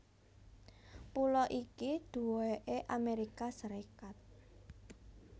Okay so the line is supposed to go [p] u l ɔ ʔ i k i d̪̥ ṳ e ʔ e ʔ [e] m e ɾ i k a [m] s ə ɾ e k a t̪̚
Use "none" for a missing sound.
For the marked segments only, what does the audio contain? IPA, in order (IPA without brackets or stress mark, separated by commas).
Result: p, a, none